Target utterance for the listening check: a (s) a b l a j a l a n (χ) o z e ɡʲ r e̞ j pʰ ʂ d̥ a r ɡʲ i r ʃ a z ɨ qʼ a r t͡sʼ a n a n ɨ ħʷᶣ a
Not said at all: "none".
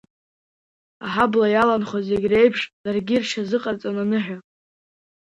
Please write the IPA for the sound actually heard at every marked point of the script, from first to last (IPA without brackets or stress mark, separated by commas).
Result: ħ, χ